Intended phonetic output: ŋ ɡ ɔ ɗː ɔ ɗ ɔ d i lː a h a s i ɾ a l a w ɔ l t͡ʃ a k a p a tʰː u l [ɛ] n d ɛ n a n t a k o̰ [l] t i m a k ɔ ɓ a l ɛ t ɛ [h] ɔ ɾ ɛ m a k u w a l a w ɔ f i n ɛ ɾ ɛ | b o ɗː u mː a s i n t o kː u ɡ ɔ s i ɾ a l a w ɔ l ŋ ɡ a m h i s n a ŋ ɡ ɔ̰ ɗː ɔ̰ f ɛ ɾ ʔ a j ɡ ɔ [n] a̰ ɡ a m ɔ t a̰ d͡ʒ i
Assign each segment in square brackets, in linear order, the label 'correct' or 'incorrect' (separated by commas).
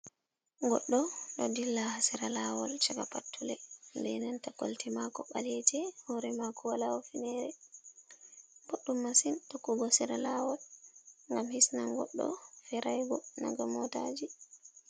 correct, correct, correct, correct